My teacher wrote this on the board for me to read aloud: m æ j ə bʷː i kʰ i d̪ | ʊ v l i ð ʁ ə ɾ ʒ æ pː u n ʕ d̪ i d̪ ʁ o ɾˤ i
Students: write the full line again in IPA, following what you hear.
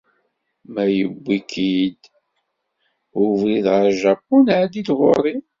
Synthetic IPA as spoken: m æ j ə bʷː i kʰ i d̪ | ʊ v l i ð ʁ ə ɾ ʒ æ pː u n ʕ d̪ i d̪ ʁ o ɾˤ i